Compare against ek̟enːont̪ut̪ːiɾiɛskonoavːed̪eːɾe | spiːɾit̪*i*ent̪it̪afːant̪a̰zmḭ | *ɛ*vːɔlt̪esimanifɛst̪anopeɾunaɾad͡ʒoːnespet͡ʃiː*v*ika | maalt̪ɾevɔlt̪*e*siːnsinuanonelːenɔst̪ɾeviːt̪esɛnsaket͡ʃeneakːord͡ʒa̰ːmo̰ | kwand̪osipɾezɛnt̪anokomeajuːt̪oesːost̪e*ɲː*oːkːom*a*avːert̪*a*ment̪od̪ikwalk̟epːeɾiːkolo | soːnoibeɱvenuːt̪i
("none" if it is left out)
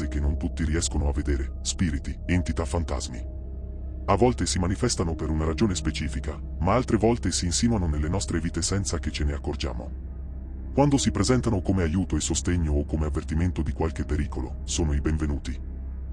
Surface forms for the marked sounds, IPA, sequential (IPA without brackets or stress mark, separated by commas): i, a, f, e, ɲː, e, i